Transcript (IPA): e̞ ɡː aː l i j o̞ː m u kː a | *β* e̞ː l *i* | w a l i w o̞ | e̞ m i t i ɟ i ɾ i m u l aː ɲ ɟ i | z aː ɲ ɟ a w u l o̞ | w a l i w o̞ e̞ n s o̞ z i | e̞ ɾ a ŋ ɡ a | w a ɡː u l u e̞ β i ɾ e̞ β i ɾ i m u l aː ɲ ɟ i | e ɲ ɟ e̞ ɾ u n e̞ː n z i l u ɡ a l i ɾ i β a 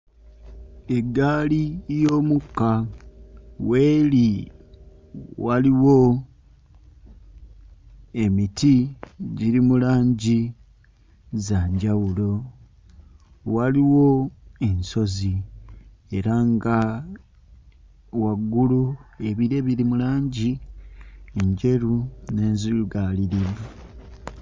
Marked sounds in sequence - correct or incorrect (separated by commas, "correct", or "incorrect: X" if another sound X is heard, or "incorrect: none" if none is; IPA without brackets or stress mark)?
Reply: incorrect: w, correct